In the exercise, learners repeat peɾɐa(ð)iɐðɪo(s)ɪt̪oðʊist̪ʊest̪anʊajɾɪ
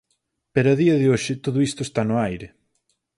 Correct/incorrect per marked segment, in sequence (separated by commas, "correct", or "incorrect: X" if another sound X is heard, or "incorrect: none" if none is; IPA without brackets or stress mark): correct, incorrect: ʃ